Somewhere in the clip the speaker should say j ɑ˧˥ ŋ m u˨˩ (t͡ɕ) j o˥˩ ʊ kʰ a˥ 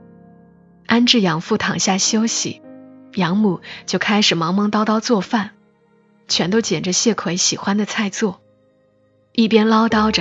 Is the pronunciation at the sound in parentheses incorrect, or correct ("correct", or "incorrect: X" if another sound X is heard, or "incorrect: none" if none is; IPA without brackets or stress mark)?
correct